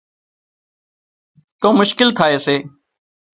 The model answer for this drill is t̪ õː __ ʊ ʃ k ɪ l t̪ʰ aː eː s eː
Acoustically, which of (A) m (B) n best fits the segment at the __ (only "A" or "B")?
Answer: A